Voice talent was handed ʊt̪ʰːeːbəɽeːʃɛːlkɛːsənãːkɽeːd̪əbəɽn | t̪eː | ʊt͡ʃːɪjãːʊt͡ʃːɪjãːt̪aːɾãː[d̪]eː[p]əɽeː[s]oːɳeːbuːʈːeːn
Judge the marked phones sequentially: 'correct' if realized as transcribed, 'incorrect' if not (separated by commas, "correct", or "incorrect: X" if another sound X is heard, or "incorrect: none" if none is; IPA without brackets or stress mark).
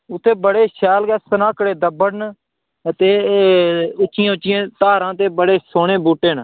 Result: incorrect: t̪, incorrect: b, correct